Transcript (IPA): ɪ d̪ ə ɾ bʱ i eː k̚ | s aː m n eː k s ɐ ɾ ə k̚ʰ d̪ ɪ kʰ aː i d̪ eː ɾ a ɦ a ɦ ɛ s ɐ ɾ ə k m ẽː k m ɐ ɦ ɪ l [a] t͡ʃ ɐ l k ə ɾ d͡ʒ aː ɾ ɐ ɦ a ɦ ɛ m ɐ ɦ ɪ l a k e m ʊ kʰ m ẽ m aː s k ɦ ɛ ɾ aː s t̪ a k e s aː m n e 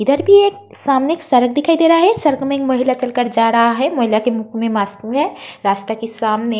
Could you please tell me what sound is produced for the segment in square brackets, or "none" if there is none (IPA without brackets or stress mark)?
a